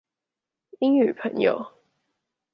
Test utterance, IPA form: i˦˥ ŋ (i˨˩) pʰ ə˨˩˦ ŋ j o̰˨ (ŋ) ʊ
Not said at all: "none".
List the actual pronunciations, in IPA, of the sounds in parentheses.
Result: y˨˩, none

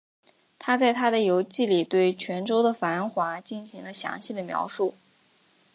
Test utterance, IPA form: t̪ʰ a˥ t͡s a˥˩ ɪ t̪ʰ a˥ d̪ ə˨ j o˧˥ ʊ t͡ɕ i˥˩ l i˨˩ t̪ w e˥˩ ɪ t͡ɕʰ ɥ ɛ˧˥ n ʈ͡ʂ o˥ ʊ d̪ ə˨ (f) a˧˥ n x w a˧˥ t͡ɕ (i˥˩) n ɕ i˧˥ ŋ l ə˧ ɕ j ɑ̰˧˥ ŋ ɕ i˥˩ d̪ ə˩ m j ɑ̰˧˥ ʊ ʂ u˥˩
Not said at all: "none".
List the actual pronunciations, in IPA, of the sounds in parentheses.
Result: f, i˥˩

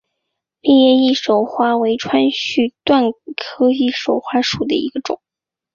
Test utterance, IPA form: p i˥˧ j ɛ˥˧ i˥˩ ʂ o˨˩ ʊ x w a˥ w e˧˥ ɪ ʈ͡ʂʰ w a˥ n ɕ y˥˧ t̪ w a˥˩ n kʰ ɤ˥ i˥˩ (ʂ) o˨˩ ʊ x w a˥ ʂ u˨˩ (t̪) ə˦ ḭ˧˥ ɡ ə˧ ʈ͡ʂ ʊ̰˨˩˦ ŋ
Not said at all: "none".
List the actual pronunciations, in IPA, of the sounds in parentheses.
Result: ʂ, d̪

